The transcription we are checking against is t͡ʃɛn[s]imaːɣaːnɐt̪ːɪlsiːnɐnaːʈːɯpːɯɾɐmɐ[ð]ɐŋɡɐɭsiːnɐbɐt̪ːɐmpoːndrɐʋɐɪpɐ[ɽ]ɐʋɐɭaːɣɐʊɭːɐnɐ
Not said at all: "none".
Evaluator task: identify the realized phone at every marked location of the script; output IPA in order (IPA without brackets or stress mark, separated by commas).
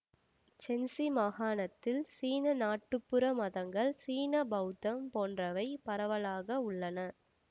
s, ð, ɾ